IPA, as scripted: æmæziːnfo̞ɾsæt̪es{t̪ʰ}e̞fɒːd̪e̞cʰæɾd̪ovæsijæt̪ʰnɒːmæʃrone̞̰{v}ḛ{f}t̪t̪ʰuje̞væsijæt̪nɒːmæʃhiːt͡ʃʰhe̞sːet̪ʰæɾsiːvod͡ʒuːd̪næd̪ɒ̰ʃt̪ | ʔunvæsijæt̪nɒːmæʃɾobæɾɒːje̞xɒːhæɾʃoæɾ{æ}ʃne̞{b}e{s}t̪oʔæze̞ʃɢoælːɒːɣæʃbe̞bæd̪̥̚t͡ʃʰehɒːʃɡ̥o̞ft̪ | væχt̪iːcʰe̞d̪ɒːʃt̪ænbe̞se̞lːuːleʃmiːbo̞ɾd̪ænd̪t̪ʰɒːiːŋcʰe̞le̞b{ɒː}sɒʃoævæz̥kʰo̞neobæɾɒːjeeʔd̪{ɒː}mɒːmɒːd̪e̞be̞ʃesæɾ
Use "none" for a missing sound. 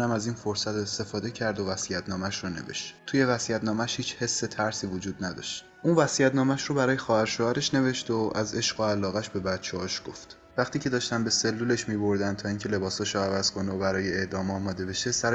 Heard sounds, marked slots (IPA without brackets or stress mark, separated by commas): t̪, v, ʃ, e, v, ʃ, ɒː, ɒː